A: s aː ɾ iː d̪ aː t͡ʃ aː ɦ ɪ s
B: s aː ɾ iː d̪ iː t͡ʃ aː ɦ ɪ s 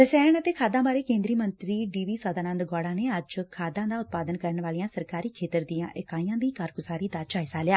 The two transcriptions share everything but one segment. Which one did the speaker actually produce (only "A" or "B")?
A